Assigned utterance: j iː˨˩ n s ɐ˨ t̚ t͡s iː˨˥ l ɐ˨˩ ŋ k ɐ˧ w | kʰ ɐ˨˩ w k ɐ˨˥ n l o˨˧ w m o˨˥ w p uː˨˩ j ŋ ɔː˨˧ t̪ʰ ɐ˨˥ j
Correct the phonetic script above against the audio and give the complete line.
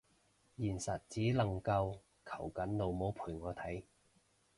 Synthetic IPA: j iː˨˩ n s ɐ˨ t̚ t͡s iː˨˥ l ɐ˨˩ ŋ k ɐ˧ w | kʰ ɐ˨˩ w k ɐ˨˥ n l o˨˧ w m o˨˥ w pʰ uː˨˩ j ŋ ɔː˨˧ t̪ʰ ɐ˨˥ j